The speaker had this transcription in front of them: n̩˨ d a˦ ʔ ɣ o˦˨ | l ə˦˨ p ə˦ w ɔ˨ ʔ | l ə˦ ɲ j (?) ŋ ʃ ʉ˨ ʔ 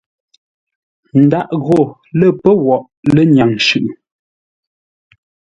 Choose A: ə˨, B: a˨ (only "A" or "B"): B